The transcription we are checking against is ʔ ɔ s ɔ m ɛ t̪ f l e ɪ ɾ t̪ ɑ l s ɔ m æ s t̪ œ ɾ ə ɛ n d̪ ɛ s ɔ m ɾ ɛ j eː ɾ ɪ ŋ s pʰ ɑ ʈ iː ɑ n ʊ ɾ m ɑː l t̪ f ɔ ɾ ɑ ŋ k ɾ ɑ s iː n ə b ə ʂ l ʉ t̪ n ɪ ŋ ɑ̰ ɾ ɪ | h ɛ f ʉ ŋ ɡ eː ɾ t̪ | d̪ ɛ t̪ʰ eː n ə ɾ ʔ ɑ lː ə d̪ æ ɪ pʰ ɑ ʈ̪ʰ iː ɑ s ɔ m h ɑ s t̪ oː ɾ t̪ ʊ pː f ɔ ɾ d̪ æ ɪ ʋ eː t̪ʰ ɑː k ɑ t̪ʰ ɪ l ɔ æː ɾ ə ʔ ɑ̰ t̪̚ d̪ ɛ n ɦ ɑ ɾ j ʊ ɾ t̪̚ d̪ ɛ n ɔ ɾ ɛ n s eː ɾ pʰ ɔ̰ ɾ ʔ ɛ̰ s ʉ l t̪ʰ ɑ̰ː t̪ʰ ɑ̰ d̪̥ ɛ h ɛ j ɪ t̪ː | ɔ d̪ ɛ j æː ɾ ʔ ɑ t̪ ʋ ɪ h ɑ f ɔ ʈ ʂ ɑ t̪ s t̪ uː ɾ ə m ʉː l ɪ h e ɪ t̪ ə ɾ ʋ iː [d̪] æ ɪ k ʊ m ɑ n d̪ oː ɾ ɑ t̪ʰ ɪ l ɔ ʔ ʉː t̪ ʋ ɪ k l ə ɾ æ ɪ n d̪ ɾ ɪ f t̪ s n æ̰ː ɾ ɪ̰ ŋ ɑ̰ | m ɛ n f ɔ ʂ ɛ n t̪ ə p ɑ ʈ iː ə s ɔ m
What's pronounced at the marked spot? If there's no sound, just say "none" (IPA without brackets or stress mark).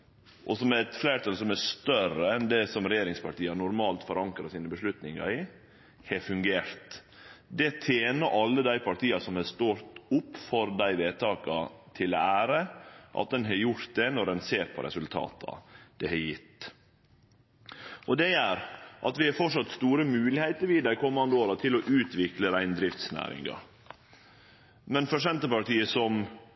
d̪